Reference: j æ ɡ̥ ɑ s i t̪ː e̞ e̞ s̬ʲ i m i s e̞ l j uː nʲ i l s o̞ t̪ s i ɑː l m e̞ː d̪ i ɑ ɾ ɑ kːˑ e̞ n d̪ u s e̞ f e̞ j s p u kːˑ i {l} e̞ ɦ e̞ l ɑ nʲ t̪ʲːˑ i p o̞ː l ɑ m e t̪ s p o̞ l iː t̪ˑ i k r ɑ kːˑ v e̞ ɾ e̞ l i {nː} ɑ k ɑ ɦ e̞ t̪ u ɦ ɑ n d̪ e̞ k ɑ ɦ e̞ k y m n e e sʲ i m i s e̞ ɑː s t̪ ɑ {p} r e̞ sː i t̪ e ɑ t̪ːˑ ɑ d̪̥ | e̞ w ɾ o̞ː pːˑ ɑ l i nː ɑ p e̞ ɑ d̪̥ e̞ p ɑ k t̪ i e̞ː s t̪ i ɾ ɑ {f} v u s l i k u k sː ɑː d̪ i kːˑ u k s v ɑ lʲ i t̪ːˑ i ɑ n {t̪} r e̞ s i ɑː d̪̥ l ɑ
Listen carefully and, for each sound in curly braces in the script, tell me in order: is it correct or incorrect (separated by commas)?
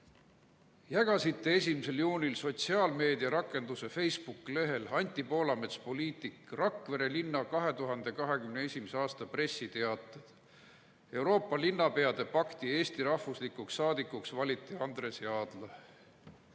correct, correct, correct, incorrect, incorrect